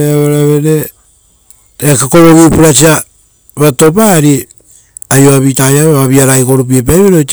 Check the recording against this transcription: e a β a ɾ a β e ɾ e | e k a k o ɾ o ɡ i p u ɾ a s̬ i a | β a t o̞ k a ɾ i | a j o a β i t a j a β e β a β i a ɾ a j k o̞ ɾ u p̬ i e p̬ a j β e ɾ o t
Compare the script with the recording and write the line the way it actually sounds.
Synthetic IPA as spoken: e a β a ɾ a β e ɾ e | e k a k o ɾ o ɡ i p u ɾ a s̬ i a | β a t o̞ p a ɾ i | a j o a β i t a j a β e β a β i a ɾ a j k o̞ ɾ u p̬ i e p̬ a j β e ɾ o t